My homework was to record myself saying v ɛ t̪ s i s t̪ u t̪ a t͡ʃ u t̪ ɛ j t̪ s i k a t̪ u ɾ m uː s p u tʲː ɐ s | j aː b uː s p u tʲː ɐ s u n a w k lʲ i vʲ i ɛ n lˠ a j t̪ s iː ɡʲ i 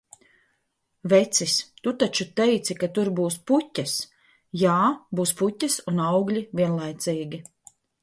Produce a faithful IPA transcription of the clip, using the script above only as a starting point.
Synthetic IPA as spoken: v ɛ t̪ s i s t̪ u t̪ a t͡ʃ u t̪ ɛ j t̪ s i k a t̪ u ɾ b uː s p u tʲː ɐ s | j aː b uː s p u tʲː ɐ s u n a w ɡ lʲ i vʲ i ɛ n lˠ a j t̪ s iː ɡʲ i